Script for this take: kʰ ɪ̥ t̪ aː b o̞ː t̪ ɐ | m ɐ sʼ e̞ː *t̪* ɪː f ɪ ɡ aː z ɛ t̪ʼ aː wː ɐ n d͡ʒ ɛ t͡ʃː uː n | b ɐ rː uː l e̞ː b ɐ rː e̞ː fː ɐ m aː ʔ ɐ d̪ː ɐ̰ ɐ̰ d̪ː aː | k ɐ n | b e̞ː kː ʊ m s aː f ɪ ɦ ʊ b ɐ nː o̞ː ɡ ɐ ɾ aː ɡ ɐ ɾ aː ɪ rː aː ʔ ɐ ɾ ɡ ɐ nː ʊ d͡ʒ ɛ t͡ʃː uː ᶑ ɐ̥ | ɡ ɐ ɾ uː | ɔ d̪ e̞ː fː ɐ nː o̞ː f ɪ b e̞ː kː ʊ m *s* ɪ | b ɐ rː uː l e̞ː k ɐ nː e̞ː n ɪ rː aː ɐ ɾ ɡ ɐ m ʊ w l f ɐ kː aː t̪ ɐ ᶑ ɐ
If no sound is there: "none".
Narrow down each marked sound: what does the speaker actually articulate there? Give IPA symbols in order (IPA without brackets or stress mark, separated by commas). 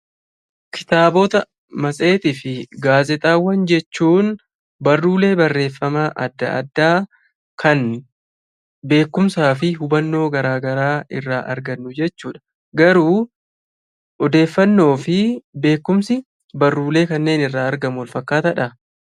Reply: t̪, s